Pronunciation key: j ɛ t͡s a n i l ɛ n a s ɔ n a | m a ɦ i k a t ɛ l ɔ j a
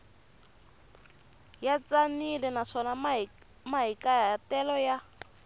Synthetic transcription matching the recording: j a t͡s a n i l ɛ n a ʂ ɔ n a | m a ɦ i k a t ɛ l ɔ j a